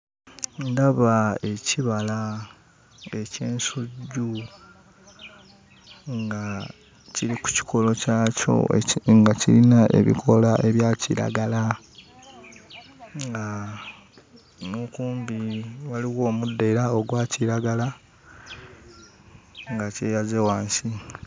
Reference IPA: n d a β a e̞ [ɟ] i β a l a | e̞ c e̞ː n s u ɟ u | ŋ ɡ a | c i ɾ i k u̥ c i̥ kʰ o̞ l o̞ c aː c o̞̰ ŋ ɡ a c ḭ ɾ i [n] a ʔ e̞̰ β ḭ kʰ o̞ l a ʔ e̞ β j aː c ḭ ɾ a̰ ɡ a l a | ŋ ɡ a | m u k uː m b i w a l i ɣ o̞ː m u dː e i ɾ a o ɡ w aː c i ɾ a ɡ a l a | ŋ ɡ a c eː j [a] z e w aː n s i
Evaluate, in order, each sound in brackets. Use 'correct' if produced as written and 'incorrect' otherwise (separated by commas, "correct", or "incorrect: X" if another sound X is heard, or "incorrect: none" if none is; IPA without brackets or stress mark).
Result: incorrect: c, correct, correct